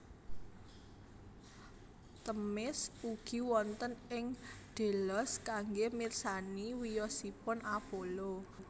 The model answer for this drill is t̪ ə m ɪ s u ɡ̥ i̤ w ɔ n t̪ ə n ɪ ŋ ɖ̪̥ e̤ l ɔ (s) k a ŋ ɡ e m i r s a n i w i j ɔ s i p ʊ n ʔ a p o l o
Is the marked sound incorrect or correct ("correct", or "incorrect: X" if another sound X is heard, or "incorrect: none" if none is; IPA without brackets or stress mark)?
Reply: correct